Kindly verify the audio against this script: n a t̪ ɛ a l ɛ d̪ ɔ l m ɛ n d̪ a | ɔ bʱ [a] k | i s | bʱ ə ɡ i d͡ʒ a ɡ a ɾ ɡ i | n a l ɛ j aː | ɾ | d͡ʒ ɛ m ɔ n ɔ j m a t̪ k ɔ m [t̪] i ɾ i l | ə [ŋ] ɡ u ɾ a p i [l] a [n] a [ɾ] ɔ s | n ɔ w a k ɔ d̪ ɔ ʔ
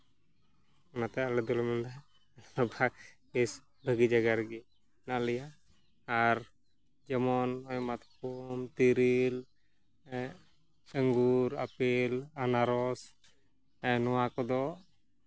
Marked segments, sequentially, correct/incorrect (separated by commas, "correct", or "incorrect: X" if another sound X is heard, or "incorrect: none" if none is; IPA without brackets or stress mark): correct, correct, correct, correct, correct, correct